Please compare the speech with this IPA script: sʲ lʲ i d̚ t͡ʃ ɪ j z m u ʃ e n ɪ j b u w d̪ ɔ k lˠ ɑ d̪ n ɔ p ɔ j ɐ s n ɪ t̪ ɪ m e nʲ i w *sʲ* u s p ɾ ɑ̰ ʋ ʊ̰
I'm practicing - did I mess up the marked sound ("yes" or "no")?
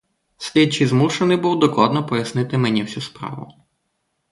no